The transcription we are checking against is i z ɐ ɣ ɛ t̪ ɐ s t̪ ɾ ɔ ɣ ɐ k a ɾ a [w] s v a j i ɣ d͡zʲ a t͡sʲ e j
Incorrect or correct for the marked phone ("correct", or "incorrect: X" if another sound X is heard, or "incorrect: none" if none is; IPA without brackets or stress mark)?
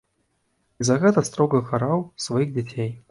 correct